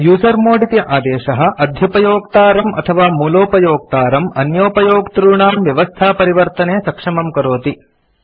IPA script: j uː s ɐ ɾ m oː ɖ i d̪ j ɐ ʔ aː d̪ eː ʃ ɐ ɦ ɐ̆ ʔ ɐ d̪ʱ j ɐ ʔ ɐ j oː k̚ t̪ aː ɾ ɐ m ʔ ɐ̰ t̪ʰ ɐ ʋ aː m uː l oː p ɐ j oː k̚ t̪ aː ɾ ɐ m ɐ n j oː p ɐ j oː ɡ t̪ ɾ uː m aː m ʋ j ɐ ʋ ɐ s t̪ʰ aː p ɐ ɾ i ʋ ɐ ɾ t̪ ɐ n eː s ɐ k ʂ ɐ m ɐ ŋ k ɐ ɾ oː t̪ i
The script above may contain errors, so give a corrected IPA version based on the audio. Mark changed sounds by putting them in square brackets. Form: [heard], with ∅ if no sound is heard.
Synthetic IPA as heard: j uː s ɐ ɾ m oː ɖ i [t̪] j ɐ ʔ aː d̪ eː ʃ ɐ ɦ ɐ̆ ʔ ɐ d̪ʱ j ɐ [p] ɐ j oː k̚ t̪ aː ɾ ɐ m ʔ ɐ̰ t̪ʰ ɐ ʋ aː m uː l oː p ɐ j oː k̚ t̪ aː ɾ ɐ m ɐ n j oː p ɐ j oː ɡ t̪ ɾ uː [ɳ] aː m ʋ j ɐ ʋ ɐ s t̪ʰ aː p ɐ ɾ i ʋ ɐ ɾ t̪ ɐ n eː s ɐ k ʂ ɐ m ɐ [m] k ɐ ɾ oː t̪ i

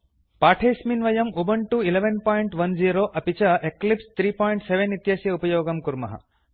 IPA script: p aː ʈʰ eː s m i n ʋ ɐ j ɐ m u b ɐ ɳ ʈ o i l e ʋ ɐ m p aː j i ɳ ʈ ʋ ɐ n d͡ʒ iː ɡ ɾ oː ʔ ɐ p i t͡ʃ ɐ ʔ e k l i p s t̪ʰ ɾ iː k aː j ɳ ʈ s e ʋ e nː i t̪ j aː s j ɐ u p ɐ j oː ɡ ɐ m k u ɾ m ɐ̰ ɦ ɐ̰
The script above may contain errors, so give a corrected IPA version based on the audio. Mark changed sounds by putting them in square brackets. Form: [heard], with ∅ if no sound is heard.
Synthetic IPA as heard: p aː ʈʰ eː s m i n ʋ ɐ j ɐ m u b ɐ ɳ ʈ [u] i l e ʋ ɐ [n] p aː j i ɳ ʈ ʋ ɐ n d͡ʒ iː [∅] ɾ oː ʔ ɐ p i t͡ʃ ɐ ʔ e k l i p s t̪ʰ ɾ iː [p] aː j ɳ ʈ s e ʋ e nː i t̪ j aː s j ɐ u p ɐ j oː ɡ ɐ m k u ɾ m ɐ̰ ɦ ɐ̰

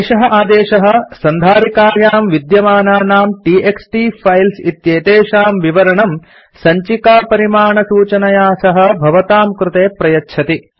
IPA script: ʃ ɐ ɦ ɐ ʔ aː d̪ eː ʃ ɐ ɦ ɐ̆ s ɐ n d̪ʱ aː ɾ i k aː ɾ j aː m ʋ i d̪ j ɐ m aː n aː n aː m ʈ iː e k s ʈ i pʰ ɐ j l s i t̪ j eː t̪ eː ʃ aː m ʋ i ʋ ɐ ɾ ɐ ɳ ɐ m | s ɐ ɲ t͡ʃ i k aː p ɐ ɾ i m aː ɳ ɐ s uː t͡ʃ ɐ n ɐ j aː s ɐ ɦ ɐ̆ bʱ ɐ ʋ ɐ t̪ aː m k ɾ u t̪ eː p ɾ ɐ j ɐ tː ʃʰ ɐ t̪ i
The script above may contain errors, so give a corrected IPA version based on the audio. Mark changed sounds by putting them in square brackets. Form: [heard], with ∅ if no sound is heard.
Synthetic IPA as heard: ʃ ɐ ɦ ɐ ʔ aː d̪ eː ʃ ɐ ɦ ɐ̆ s ɐ n d̪ʱ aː ɾ i k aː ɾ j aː m ʋ i d̪ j ɐ m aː n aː n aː m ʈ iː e k s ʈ i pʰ ɐ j l s i t̪ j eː t̪ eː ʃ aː m ʋ i ʋ ɐ ɾ ɐ ɳ ɐ m | s ɐ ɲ t͡ʃ i k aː p ɐ ɾ i m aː ɳ ɐ s uː t͡ʃ ɐ n ɐ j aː s ɐ ɦ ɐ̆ bʱ ɐ ʋ ɐ t̪ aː m k ɾ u t̪ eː p ɾ ɐ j ɐ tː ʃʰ ɐ t̪ i

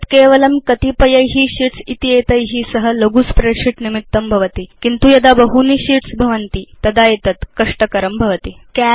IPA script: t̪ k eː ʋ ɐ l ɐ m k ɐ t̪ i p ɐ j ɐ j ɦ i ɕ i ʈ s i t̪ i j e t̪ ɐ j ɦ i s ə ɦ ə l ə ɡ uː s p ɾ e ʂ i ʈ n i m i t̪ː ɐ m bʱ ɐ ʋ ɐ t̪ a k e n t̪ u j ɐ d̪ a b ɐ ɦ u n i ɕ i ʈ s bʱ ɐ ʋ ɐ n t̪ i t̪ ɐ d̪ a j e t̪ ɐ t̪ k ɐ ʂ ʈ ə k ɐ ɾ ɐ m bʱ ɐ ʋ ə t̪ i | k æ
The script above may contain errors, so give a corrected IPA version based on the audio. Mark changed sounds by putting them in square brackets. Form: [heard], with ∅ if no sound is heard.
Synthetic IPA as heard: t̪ k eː ʋ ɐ l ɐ m k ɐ t̪ i p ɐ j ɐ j ɦ i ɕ i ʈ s i t̪ i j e t̪ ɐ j ɦ i s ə ɦ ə l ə ɡ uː s p ɾ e ʂ i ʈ n i m i t̪ː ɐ m bʱ ɐ ʋ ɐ t̪ [i] k [i] n t̪ u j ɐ d̪ a b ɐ ɦ u n i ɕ i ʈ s bʱ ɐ ʋ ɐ n t̪ i t̪ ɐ d̪ a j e t̪ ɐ t̪ k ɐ ʂ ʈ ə k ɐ ɾ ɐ m bʱ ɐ ʋ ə t̪ i | k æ

